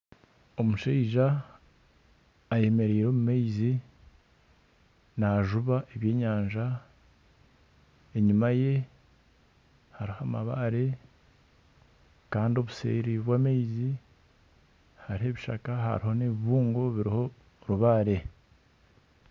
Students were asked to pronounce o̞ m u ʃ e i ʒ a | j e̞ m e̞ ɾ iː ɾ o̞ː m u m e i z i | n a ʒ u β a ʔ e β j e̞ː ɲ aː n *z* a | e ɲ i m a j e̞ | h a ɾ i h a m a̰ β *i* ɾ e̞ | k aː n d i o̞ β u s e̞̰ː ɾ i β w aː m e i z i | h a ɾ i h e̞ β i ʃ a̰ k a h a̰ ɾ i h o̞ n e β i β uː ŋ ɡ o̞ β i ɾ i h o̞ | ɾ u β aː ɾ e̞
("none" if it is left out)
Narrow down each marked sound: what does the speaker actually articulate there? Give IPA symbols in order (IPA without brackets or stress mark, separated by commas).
ʒ, a